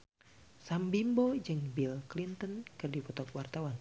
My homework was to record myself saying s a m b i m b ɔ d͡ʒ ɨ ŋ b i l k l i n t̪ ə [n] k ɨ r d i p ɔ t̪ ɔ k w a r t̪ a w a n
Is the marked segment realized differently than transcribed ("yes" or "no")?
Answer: no